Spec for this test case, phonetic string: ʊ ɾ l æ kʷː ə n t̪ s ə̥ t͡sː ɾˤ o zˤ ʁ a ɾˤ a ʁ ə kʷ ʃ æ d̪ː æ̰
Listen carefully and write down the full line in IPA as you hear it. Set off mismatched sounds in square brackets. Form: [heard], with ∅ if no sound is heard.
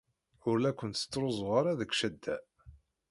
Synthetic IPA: ʊ ɾ l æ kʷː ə n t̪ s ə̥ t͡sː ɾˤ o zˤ ʁ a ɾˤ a [ð] ə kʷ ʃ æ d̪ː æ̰